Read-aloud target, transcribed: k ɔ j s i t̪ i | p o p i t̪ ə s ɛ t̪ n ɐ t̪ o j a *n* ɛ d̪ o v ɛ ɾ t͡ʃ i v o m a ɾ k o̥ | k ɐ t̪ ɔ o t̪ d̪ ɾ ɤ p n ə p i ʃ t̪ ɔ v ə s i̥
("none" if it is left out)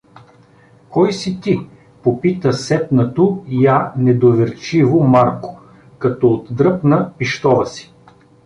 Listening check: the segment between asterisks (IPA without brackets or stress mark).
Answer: n